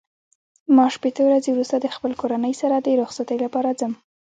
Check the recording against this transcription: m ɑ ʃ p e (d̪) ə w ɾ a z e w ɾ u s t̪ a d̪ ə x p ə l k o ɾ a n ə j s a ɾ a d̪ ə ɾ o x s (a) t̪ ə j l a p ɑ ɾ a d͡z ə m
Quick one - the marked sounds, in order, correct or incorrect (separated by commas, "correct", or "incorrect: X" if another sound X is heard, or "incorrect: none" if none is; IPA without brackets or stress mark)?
incorrect: t̪, correct